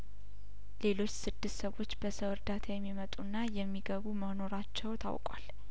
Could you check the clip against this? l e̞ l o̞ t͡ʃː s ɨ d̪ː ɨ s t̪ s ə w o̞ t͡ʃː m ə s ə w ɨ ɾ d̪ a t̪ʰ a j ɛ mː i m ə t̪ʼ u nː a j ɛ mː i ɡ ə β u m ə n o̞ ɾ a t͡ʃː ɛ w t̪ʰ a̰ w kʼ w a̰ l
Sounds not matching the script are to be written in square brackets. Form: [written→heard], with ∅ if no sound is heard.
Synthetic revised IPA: l e̞ l o̞ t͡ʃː s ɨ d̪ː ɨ s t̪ s ə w o̞ t͡ʃː [m→b] ə s ə w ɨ ɾ d̪ a t̪ʰ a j ɛ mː i m ə t̪ʼ u nː a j ɛ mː i ɡ ə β u m ə n o̞ ɾ a t͡ʃː ɛ w t̪ʰ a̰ w kʼ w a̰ l